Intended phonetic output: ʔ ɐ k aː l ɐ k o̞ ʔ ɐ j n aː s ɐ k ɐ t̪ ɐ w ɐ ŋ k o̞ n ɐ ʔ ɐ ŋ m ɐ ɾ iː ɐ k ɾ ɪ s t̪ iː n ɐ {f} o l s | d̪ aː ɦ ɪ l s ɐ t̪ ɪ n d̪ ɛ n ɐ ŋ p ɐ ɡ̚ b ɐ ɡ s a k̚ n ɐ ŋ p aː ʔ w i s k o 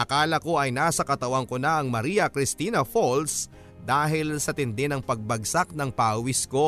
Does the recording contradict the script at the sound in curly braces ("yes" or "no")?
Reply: no